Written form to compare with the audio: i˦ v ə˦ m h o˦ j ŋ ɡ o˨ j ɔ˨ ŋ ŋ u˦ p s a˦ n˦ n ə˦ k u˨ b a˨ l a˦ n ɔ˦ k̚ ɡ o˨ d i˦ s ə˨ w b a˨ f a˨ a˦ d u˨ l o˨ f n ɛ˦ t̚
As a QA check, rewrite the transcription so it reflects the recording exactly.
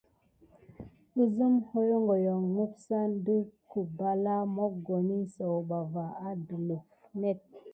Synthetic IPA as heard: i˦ z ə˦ m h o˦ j ŋ ɡ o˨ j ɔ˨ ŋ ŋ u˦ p s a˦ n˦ d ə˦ k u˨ b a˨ l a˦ m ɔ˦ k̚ ɡ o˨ n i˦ s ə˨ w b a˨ v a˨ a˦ d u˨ l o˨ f n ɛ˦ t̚